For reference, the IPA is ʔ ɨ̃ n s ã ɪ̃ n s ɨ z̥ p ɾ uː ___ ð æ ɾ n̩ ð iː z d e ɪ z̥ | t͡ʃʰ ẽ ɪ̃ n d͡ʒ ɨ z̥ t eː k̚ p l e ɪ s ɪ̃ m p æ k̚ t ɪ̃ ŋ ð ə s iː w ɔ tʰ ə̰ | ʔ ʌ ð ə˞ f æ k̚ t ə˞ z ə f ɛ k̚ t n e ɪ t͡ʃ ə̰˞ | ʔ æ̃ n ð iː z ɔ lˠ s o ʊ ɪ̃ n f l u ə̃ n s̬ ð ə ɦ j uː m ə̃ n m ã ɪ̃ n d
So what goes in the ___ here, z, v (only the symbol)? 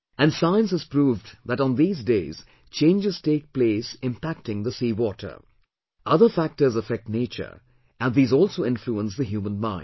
v